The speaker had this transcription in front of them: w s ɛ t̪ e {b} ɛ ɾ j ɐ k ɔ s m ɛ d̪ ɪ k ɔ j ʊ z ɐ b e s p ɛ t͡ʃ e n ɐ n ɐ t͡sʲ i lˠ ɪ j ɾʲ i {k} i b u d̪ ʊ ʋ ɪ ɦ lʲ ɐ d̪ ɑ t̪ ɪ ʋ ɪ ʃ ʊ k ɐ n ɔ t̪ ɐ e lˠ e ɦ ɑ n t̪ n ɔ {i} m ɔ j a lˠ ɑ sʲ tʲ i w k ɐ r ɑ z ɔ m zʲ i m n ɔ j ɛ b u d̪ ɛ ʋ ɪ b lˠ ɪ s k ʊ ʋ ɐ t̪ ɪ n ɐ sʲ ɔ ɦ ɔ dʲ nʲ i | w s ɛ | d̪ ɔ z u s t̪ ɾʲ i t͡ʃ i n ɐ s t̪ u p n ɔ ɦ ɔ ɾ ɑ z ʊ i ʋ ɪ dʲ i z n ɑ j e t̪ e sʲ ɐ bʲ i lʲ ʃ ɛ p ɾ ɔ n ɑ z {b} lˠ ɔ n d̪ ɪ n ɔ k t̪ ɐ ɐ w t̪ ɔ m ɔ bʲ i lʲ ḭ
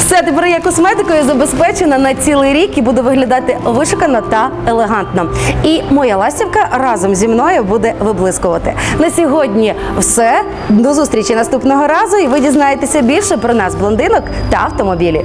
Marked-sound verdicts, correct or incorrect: incorrect, correct, correct, correct

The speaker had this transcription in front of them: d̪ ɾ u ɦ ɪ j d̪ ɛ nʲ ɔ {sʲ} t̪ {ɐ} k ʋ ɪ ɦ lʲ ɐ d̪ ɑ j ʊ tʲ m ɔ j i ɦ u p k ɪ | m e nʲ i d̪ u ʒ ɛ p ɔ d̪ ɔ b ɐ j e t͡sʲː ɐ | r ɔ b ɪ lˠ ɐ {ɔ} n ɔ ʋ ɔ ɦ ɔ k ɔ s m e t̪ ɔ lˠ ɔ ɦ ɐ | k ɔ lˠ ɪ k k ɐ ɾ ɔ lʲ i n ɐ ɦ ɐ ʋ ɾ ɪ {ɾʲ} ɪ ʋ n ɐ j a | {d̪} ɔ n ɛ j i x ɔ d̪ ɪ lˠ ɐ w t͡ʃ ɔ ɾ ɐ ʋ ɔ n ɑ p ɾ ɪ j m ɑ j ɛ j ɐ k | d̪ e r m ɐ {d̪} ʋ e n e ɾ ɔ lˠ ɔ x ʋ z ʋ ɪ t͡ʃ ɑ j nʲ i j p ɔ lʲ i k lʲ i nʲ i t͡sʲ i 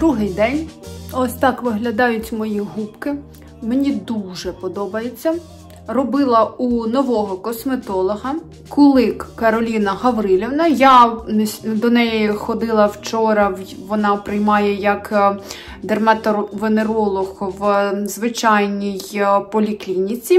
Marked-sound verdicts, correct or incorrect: correct, incorrect, incorrect, incorrect, correct, incorrect

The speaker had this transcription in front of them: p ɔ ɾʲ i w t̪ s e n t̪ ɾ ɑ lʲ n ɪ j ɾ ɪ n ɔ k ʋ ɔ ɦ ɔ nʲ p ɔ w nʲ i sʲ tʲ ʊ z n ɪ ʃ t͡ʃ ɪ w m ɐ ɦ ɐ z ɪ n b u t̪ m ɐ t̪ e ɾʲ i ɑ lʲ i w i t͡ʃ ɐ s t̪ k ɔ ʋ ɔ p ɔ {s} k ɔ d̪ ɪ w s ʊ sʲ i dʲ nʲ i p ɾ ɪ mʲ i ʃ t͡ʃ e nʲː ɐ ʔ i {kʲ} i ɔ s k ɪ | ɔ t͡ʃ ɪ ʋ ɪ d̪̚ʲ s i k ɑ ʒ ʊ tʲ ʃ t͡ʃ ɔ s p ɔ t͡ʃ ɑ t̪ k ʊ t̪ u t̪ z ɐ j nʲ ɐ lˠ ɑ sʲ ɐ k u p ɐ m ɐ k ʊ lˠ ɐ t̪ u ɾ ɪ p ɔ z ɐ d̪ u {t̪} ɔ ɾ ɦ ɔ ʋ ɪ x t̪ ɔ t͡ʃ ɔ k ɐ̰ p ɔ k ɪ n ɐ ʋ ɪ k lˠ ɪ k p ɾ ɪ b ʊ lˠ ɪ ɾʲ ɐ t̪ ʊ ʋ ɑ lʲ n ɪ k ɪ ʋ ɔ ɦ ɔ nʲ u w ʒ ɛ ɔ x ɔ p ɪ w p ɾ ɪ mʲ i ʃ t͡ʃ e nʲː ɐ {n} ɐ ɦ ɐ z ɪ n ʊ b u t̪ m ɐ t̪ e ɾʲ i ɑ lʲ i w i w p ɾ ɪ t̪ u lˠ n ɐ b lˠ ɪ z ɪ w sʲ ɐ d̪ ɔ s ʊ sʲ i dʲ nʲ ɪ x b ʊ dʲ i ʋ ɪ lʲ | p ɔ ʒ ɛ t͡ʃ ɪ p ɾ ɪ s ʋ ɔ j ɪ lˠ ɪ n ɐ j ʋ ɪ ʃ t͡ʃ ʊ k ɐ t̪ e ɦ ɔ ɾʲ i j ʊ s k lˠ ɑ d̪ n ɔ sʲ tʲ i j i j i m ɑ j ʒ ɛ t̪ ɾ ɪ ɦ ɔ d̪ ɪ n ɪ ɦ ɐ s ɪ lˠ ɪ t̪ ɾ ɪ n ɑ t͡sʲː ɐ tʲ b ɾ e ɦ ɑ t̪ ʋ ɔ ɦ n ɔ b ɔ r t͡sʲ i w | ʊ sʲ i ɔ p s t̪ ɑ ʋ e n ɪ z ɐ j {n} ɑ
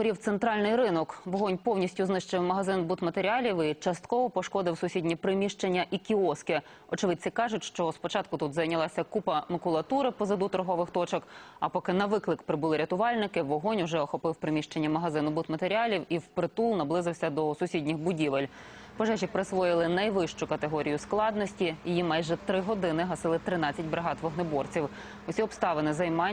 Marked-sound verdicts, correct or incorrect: incorrect, correct, correct, incorrect, incorrect

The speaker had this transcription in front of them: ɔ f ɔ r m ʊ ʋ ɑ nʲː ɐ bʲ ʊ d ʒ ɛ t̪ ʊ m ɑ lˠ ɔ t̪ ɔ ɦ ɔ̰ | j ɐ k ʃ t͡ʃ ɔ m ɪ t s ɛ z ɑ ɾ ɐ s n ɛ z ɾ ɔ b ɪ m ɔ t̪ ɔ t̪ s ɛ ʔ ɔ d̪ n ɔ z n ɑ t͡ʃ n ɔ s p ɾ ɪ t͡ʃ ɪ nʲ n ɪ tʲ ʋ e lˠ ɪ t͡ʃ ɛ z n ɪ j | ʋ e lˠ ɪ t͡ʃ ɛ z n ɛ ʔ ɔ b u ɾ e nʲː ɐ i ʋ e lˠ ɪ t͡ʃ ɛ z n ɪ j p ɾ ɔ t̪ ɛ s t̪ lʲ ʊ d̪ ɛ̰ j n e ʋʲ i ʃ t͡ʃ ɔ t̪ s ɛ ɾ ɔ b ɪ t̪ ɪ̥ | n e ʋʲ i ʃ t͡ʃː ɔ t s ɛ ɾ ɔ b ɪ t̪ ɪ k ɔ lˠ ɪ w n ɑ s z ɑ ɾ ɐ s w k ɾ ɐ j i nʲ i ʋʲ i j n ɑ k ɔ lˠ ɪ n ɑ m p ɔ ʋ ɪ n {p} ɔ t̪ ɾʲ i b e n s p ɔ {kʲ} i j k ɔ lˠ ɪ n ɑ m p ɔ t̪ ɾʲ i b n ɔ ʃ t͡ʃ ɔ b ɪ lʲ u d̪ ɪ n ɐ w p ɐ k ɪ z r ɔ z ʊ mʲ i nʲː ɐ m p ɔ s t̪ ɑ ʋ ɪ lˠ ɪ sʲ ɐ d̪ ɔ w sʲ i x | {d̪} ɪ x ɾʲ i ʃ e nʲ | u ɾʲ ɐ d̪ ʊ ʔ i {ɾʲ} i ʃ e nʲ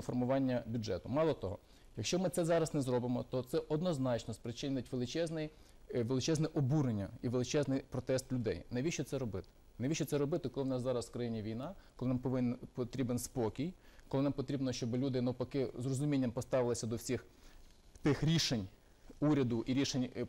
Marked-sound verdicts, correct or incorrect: correct, correct, incorrect, correct

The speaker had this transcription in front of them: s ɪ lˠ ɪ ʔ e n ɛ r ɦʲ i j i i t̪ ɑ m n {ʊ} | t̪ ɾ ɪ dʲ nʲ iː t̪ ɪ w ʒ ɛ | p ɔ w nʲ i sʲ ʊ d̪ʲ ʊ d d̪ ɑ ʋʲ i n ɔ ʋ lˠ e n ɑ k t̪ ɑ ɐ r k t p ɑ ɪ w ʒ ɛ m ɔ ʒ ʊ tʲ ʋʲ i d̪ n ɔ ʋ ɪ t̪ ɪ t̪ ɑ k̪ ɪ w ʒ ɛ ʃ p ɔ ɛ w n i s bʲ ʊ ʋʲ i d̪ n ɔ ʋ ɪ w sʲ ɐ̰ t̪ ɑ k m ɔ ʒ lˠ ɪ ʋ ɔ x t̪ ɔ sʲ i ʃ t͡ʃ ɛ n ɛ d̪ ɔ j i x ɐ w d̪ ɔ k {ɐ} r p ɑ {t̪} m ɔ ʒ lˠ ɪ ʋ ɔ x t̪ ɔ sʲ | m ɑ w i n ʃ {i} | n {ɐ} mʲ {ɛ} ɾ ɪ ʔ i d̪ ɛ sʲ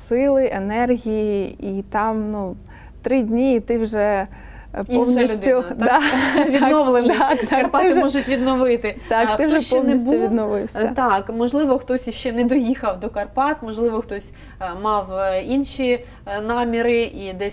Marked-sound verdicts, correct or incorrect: incorrect, correct, correct, correct, incorrect, incorrect

